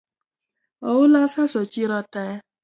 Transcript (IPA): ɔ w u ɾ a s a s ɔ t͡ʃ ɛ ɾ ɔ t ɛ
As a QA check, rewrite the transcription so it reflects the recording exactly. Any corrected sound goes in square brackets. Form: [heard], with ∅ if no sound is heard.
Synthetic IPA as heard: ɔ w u [l] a s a s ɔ t͡ʃ [i] ɾ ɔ t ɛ